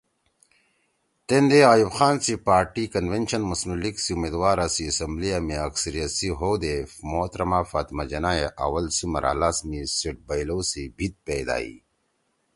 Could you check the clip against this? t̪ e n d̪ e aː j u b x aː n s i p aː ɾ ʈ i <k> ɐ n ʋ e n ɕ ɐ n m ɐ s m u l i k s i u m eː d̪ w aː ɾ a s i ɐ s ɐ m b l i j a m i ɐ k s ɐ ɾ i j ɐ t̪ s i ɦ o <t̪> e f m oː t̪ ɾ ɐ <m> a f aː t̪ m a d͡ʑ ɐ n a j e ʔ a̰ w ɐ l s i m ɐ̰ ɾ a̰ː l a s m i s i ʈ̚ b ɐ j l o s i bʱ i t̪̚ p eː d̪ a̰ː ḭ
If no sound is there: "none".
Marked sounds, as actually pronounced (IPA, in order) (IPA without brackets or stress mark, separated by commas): k, d̪, m